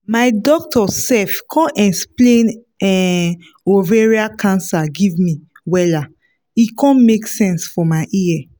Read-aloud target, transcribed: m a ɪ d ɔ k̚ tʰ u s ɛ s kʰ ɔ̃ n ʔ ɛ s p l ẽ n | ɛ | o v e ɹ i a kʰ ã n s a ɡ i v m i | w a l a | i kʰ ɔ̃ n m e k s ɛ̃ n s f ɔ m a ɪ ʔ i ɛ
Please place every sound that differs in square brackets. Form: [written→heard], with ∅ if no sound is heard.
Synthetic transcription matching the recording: m a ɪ d ɔ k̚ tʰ [u→ɔ] s ɛ [s→f] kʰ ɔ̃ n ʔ ɛ s p l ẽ n | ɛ | o v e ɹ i a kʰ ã n s a ɡ i v m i | w [a→ɛ] l a | i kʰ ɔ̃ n m e k s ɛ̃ n s f ɔ m a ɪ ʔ i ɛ